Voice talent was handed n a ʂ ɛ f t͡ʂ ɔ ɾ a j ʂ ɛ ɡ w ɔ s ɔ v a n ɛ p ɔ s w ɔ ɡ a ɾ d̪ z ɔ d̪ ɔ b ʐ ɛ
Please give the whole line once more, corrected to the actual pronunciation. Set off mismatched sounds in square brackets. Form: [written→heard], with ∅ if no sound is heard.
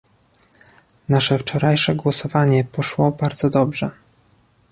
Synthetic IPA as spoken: n a ʂ ɛ f t͡ʂ ɔ ɾ a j ʂ ɛ ɡ w ɔ s ɔ v a [n→ɲ] ɛ p ɔ [s→ʂ] w ɔ [ɡ→b] a ɾ d̪ z ɔ d̪ ɔ b ʐ ɛ